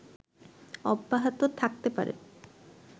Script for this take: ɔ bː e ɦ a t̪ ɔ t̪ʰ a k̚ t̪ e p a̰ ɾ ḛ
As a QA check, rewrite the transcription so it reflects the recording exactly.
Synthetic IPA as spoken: ɔ bː a ɦ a t̪ o t̪ʰ a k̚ t̪ e p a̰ ɾ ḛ

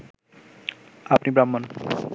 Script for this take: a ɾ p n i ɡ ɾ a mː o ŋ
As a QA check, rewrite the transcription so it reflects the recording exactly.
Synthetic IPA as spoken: a p n i b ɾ a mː o n

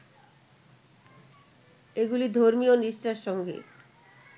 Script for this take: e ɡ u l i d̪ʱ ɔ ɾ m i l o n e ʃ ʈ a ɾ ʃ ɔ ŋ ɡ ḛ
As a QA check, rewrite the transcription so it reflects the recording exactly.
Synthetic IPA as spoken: e ɡ u l i d̪ʱ o ɾ m i o n i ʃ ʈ a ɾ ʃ ɔ ŋ ɡ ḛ

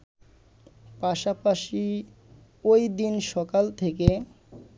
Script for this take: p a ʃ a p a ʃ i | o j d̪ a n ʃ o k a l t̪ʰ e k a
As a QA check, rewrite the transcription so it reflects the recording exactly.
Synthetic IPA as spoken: p a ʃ a p a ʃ i | o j d̪ i n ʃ ɔ k a l t̪ʰ e k e

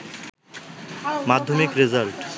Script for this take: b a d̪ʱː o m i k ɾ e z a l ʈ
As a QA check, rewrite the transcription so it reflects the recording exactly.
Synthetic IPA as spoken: m a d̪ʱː o m i k ɾ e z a l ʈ

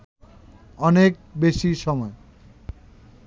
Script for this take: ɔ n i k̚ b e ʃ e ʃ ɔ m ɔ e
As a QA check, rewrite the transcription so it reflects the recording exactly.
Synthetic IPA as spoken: ɔ n e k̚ b e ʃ i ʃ ɔ m ɔ e

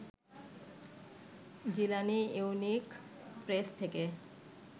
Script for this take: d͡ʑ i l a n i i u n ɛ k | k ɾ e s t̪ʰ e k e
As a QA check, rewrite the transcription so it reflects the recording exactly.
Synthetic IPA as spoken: d͡ʑ i l a n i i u n i k | p ɾ e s t̪ʰ e k e

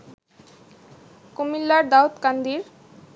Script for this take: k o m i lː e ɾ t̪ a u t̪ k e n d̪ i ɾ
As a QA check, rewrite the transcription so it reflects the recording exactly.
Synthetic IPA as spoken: k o m i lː a ɾ d̪ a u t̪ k a n d̪ i ɾ

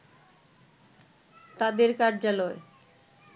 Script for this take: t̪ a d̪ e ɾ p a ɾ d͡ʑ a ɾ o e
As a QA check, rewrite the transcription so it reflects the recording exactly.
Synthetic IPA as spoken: t̪ a d̪ e ɾ k a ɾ d͡ʑ a l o e

